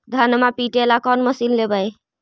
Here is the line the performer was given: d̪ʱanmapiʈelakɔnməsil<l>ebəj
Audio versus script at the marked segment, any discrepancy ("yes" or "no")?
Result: no